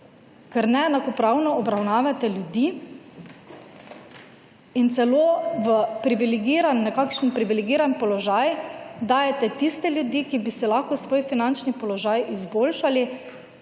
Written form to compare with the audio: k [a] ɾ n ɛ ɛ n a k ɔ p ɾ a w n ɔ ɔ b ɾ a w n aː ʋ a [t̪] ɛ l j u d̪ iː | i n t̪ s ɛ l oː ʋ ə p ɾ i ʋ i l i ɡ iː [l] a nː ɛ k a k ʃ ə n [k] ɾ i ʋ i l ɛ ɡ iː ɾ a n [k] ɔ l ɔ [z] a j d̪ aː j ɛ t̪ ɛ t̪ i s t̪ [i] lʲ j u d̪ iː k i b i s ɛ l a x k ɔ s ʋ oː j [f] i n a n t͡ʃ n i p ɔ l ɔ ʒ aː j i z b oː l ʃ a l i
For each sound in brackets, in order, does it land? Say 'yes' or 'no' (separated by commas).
no, yes, no, no, no, no, no, yes